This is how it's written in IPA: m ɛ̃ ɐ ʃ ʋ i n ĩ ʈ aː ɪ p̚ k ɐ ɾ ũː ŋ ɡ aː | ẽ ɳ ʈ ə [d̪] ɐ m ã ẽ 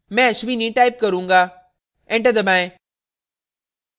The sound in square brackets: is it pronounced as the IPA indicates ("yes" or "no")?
yes